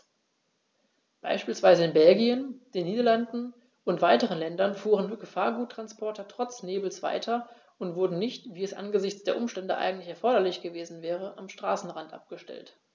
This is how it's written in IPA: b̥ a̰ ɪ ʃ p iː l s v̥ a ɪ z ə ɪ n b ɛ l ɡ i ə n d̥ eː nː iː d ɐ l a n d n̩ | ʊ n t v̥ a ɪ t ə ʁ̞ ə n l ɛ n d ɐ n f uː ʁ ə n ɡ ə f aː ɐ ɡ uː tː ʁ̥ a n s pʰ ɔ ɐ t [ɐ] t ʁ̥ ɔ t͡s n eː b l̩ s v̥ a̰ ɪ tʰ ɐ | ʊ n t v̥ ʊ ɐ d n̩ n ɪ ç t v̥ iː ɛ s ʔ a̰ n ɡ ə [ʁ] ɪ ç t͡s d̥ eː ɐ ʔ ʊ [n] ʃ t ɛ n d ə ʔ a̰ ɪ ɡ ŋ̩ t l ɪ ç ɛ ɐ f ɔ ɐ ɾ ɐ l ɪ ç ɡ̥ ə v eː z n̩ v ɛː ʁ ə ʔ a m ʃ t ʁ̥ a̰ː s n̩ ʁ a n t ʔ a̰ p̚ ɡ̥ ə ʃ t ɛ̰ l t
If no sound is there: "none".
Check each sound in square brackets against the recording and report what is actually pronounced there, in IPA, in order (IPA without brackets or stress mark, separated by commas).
ɐ, z, m